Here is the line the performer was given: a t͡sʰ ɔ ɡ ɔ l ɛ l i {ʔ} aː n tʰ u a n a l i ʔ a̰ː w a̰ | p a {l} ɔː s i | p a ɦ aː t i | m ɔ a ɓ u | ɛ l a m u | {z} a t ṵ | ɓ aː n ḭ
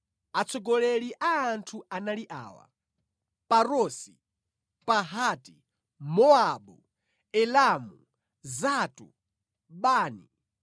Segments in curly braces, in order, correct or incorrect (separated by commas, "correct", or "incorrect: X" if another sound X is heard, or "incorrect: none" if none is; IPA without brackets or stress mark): correct, incorrect: ɾ, correct